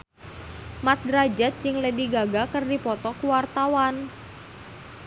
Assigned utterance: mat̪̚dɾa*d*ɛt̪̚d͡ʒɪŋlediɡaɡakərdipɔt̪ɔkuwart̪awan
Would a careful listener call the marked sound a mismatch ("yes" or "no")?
yes